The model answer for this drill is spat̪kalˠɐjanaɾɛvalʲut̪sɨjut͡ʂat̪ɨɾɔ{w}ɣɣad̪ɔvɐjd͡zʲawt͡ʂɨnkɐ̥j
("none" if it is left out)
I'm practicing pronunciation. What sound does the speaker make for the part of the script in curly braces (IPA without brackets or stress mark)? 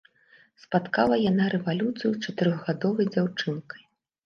none